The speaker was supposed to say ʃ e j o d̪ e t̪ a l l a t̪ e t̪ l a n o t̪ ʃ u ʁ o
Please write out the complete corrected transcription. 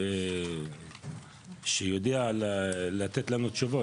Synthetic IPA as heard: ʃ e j o d̪ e a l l a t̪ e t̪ l a n u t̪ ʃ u v o